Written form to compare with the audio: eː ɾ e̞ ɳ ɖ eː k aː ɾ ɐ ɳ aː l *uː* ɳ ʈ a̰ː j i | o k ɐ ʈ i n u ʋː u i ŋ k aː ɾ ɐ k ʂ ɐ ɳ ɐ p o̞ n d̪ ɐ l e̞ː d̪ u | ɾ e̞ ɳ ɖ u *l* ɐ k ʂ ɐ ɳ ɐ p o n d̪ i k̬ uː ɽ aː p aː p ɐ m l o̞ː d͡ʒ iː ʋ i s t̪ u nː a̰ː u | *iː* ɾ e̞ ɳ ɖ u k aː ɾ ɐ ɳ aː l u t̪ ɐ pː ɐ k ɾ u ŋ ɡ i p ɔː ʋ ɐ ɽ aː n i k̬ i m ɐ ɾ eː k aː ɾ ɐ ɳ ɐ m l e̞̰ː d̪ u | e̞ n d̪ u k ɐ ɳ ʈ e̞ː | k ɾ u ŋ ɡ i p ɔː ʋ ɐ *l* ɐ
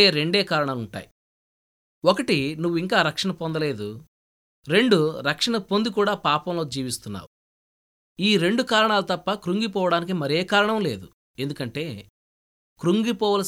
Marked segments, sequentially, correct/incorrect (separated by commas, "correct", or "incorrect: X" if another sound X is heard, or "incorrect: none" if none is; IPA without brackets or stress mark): incorrect: u, incorrect: ɾ, correct, correct